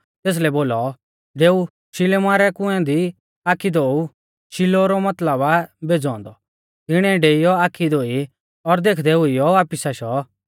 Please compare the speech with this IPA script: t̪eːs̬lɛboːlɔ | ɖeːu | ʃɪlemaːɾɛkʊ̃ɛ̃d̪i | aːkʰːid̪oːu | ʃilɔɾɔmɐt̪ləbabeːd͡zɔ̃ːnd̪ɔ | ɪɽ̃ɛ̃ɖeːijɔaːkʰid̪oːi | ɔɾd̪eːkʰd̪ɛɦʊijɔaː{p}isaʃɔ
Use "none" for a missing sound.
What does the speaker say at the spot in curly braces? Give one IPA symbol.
p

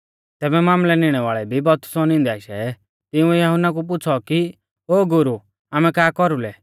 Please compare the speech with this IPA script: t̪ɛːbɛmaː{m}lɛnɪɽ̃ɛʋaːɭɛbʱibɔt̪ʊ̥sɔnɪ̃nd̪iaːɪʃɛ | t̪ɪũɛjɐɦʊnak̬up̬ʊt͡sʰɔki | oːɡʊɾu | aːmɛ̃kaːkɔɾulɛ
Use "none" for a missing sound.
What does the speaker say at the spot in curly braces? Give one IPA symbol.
m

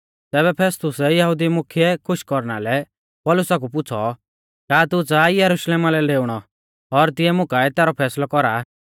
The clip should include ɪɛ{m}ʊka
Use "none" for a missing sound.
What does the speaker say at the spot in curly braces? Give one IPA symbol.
m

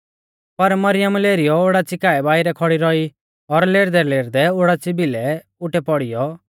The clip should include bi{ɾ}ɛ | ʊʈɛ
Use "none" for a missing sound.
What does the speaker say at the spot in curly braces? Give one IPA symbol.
l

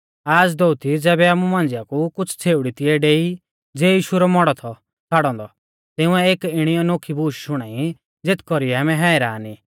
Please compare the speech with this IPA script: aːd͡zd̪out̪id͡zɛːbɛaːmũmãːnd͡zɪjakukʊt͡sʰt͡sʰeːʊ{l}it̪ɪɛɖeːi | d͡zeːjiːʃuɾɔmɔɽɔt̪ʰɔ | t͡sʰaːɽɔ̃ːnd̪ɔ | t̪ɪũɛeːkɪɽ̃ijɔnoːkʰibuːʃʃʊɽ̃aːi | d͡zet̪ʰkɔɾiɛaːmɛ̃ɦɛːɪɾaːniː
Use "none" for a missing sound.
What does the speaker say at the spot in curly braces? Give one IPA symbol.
ɽ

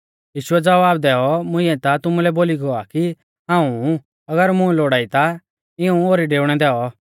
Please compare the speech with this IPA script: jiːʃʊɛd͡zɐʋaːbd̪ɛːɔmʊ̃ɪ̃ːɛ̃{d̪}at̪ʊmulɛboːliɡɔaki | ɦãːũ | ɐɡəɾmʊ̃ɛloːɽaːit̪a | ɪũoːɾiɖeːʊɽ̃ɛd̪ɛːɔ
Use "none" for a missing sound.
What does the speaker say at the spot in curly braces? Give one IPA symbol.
t̪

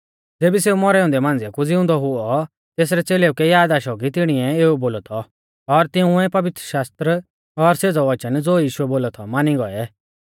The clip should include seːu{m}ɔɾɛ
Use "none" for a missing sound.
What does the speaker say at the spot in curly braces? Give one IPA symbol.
m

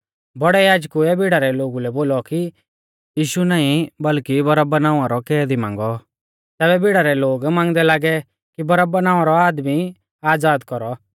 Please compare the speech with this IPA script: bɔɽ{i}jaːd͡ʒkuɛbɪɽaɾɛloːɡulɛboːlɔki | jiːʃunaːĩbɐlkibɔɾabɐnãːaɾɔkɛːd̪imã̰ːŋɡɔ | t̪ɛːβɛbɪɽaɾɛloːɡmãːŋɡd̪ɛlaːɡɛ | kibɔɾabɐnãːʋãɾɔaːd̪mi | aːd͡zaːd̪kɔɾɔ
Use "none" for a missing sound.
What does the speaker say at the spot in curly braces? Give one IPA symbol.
ɛ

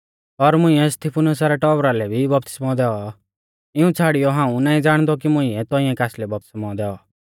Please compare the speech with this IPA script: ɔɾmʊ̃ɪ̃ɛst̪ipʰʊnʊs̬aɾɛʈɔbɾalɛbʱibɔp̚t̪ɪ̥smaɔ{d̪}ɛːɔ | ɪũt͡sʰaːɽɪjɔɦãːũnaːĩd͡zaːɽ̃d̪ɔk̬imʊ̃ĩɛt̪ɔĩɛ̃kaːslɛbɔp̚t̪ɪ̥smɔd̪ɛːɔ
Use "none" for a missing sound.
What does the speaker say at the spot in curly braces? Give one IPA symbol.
d̪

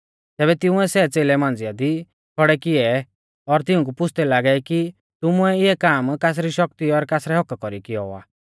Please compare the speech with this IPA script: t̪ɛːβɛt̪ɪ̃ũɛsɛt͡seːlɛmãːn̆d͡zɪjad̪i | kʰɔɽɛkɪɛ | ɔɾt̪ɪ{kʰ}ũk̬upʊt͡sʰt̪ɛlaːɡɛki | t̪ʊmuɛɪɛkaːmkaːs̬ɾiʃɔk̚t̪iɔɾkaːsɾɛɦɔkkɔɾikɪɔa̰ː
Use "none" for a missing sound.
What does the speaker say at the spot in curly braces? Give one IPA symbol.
none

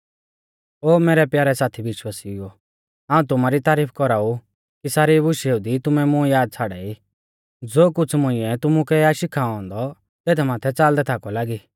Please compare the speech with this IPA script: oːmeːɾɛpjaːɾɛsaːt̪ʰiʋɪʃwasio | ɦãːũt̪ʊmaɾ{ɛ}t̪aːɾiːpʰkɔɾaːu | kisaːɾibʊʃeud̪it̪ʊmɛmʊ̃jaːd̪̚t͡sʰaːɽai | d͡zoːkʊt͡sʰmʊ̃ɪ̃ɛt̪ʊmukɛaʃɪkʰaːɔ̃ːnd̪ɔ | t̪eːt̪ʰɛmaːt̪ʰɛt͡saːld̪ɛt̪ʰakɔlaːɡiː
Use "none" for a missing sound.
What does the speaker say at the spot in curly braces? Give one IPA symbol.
i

